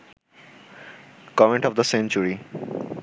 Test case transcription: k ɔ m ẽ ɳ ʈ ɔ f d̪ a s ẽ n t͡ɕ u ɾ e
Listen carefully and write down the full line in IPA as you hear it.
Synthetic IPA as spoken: k ɔ m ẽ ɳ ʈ ɔ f d̪ ə s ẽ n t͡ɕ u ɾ i